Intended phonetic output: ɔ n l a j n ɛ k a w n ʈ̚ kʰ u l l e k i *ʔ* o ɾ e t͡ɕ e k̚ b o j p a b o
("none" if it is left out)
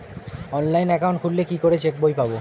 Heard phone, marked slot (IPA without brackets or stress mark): k